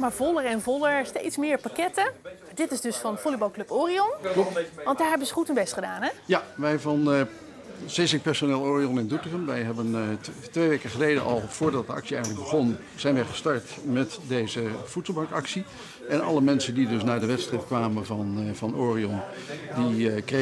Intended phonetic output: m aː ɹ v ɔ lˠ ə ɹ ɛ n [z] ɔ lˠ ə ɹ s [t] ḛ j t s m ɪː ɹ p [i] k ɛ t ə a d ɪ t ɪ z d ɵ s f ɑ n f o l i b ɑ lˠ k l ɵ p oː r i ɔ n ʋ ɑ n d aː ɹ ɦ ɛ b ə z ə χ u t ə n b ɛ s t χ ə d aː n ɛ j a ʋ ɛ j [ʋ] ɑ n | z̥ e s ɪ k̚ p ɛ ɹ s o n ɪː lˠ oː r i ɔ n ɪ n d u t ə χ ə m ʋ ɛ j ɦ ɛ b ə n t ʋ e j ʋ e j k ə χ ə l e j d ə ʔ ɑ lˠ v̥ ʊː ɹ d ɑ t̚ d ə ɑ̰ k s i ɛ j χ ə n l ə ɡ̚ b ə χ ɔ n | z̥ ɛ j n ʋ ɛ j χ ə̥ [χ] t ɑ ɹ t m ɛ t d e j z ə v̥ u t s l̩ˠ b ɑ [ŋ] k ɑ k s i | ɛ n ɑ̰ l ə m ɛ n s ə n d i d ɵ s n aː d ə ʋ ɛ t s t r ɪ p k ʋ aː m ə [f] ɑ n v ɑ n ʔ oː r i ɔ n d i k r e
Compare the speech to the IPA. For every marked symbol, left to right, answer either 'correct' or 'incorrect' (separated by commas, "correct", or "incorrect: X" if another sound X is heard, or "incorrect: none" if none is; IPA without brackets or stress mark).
incorrect: v, correct, incorrect: a, incorrect: v, incorrect: s, correct, incorrect: v